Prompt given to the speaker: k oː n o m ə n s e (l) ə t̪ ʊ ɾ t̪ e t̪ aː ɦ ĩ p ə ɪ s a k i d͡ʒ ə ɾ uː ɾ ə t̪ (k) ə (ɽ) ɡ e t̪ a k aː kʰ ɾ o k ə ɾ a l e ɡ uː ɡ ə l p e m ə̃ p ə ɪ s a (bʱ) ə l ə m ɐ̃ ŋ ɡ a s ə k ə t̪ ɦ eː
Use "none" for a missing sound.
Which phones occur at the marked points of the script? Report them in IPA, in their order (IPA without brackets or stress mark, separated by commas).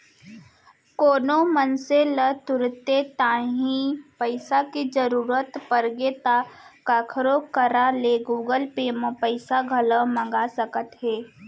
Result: l, p, ɾ, ɡʱ